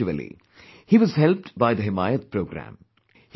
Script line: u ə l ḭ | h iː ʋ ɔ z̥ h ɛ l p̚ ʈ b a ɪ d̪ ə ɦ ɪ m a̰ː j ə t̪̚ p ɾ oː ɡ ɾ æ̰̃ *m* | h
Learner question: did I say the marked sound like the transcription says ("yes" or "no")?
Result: yes